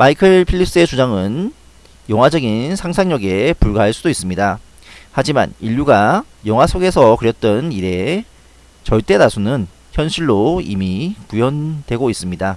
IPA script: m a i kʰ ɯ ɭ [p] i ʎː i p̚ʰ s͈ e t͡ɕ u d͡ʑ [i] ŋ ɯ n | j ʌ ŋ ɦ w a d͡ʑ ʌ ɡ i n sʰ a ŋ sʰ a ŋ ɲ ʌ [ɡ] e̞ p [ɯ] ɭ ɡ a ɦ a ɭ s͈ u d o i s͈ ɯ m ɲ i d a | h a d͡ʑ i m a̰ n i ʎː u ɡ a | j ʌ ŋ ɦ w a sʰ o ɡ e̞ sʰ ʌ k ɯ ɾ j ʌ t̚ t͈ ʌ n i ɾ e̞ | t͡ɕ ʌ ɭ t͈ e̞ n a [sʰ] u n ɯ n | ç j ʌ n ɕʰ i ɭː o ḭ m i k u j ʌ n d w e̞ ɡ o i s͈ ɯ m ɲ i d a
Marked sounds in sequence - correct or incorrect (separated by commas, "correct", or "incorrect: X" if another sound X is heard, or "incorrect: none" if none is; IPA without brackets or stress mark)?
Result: incorrect: pʰ, incorrect: a, correct, incorrect: u, correct